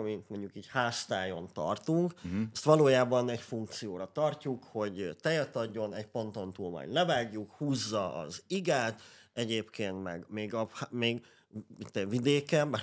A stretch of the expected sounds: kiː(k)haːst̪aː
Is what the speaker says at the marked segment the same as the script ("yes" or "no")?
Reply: no